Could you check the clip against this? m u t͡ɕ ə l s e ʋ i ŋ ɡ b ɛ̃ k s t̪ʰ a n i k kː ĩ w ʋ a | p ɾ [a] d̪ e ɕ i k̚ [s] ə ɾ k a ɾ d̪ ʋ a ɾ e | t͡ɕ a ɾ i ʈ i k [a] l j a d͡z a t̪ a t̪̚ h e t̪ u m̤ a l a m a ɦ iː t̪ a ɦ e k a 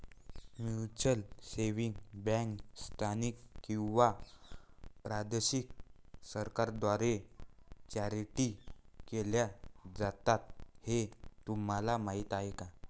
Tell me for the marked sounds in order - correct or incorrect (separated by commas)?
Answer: correct, correct, incorrect